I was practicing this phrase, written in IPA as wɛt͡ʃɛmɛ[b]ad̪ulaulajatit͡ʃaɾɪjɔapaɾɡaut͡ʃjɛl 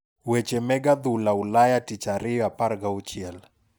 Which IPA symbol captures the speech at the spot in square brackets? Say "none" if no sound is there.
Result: ɡ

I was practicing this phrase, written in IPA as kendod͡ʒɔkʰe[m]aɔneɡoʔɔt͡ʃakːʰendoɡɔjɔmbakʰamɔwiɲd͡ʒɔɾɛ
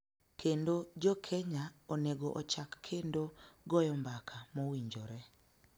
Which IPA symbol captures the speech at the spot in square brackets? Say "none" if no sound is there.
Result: ɲ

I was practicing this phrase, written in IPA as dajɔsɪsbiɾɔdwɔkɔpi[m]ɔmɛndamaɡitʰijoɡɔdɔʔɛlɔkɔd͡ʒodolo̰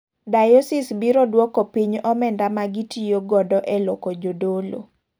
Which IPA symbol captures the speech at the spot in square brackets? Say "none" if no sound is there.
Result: ɲ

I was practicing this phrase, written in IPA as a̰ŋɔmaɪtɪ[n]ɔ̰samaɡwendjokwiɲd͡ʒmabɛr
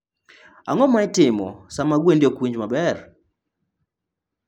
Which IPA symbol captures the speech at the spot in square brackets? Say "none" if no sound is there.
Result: m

